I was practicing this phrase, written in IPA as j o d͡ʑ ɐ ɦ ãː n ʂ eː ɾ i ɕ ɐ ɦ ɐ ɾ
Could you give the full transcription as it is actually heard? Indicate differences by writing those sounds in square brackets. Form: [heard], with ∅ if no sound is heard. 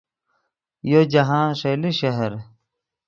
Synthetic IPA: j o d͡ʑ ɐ ɦ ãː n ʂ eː [l] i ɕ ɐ ɦ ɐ ɾ

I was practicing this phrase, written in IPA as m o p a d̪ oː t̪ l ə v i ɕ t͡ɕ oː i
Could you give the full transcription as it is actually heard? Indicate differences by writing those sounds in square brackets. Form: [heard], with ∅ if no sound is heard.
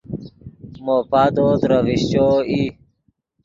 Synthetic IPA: m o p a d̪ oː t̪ [ɾ] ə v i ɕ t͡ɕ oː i

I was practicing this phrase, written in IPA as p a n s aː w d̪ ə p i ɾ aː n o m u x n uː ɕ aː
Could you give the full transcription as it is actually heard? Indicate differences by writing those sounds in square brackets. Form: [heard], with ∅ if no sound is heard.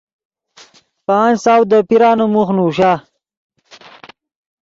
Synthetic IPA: p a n s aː w d̪ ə p i ɾ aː n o m u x n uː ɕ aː

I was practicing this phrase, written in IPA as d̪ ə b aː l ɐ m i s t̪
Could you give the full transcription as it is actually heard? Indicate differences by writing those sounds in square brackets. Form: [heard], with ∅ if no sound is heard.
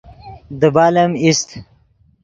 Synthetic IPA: d̪ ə b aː l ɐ m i s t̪

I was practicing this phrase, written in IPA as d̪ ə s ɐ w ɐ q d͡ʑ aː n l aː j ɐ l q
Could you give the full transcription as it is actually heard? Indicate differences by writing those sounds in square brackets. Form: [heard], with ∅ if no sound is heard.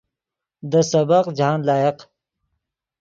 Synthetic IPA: d̪ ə s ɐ [b] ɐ q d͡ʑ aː n l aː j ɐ [∅] q

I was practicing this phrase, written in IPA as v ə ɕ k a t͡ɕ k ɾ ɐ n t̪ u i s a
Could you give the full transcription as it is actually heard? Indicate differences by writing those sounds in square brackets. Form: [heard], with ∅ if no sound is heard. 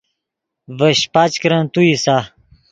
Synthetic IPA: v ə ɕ [p] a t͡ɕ k ɾ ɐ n t̪ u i s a

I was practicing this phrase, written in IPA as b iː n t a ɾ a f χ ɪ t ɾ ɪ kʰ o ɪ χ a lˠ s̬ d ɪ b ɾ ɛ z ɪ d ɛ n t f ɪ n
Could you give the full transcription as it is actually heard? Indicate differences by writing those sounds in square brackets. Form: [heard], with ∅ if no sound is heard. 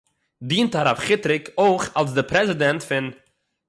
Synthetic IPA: [d] iː n t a ɾ a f χ ɪ t ɾ ɪ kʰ o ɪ χ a lˠ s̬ d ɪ [p] ɾ ɛ z ɪ d ɛ n t f ɪ n

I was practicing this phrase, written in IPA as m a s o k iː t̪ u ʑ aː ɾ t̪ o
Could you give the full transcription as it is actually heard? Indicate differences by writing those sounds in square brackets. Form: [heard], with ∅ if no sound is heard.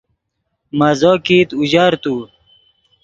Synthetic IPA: m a [z] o k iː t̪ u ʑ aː ɾ t̪ [u]

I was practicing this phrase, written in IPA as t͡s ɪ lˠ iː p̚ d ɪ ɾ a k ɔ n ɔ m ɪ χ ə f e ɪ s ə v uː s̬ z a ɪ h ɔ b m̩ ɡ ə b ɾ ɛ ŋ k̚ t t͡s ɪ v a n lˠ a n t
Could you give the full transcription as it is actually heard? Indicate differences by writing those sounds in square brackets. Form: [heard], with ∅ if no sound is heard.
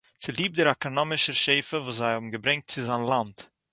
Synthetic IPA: t͡s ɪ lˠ iː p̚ d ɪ ɾ a k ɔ n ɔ m ɪ [ʃ] ə [ʃ] e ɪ [f] ə v uː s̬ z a ɪ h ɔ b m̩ ɡ ə b ɾ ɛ ŋ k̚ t t͡s ɪ [z] a n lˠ a n t

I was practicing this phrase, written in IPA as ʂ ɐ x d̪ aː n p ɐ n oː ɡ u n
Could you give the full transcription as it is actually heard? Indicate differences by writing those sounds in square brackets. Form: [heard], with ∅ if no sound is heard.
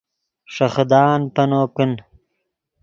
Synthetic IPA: ʂ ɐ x d̪ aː n p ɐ n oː [k] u n

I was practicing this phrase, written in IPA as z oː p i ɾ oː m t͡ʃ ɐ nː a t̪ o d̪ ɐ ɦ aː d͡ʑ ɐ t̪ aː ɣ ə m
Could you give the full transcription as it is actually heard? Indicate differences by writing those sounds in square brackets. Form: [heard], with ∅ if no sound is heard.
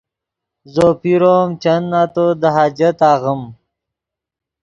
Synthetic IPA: z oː p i ɾ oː m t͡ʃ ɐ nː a t̪ o d̪ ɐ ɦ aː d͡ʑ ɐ t̪ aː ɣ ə m

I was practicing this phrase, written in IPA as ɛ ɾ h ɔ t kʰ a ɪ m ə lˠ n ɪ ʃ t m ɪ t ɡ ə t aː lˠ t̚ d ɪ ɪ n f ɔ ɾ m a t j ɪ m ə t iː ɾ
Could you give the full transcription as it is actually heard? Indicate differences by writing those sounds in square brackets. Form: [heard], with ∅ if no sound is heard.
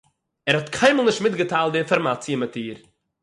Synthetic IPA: ɛ ɾ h ɔ t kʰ a ɪ m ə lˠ n ɪ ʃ t m ɪ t ɡ ə t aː lˠ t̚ d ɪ ɪ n f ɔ ɾ m a [t͡s] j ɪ m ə t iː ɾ

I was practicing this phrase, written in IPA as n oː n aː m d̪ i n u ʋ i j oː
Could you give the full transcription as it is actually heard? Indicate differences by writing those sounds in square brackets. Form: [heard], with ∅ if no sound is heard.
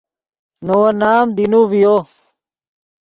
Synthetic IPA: n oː n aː m d̪ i n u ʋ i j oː

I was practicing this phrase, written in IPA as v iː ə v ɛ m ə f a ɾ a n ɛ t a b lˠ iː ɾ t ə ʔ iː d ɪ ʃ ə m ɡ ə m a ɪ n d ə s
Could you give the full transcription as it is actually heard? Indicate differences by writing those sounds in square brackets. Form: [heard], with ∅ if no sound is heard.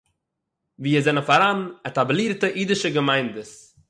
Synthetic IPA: v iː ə [z] ɛ [n] ə f a ɾ a n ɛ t a b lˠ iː ɾ t ə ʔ iː d ɪ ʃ ə [∅] ɡ ə m a ɪ n d ə s

